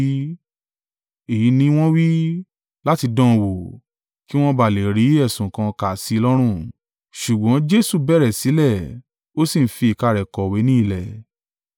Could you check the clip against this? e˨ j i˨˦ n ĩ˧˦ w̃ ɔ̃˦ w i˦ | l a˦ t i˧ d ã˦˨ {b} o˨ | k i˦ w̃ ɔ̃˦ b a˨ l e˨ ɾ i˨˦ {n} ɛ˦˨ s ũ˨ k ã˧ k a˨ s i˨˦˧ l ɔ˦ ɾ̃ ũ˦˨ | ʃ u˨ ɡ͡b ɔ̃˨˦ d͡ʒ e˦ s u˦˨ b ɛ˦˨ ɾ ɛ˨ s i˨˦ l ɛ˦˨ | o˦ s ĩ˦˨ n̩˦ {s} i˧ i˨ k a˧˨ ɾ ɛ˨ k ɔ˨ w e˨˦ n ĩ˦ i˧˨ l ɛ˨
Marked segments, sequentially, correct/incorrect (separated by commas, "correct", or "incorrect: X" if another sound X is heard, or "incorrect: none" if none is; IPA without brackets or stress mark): incorrect: w, incorrect: none, incorrect: f